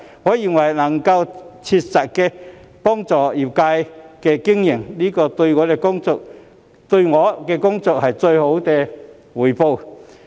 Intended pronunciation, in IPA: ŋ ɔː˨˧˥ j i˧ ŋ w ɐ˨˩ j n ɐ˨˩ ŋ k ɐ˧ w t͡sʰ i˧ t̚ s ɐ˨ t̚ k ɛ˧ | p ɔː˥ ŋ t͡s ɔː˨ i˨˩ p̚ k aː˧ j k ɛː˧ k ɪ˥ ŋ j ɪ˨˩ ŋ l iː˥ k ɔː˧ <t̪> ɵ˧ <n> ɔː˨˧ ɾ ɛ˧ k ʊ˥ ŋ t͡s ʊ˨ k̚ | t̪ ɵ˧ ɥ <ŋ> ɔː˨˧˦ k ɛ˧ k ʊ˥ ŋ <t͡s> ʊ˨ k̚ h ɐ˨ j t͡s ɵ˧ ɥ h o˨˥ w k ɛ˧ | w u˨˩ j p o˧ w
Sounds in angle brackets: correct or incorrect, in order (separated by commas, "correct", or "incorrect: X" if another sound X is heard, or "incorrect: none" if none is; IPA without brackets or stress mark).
correct, incorrect: ŋ, correct, correct